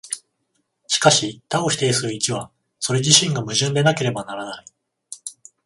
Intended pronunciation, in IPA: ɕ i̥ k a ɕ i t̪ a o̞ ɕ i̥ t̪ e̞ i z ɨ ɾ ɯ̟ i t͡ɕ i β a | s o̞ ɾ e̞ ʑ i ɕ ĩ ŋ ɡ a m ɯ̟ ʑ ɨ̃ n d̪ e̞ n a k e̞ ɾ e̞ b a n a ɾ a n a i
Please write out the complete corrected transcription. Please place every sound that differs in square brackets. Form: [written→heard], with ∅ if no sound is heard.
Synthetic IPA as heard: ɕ i̥ k a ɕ i t̪ a o̞ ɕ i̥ t̪ e̞ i [z→s] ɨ ɾ ɯ̟ i t͡ɕ i β a | s o̞ ɾ e̞ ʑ i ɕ ĩ ŋ ɡ a m ɯ̟ ʑ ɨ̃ n d̪ e̞ n a k e̞ ɾ e̞ b a n a ɾ a n a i